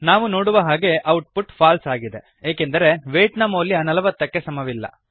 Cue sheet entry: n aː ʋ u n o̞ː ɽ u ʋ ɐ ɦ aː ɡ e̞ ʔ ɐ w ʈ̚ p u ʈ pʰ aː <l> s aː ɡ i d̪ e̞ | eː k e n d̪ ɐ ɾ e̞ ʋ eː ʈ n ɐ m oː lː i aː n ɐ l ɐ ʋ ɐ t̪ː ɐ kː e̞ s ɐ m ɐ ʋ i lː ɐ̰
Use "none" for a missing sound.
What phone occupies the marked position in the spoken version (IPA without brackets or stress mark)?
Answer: l